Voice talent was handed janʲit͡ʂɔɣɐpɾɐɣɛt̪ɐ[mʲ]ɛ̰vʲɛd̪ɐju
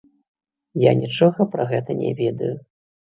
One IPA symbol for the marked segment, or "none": nʲ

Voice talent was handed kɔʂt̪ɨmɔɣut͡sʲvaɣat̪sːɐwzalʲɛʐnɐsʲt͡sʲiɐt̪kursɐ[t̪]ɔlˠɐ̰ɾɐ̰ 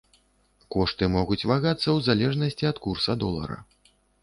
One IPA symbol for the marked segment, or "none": d̪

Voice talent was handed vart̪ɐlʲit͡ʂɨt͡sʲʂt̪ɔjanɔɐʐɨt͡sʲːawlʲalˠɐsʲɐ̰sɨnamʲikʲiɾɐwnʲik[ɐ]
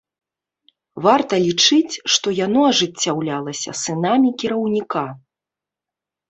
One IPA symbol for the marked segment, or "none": a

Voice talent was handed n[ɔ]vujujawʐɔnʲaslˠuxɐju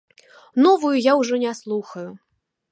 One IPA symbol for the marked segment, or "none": ɔ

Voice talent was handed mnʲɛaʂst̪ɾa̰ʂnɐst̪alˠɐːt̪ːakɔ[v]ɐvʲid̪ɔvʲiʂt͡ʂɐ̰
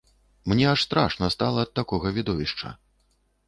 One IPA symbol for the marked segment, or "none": ɣ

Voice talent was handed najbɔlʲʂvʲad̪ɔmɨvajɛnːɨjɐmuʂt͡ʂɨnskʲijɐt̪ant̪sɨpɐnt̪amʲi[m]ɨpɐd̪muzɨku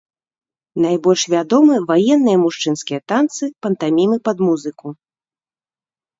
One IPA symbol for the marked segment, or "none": m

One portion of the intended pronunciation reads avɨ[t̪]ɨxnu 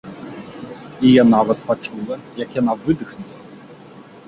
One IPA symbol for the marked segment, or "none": d̪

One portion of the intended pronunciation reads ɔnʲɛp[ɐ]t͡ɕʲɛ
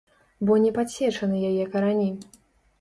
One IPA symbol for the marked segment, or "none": a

